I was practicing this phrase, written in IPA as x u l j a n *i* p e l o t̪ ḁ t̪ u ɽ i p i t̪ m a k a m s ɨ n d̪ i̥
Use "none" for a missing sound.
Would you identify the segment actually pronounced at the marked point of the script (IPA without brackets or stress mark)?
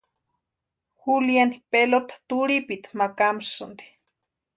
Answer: i